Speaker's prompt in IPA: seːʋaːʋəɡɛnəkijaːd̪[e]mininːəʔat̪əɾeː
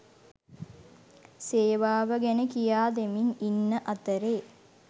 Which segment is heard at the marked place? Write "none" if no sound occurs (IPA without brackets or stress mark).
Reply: e